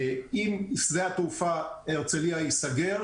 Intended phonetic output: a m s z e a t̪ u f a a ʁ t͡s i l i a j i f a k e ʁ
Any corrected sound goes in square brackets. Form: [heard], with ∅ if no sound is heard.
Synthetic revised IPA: [i] m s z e a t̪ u f a [e] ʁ t͡s [e] l i a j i [s] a [ɡ] e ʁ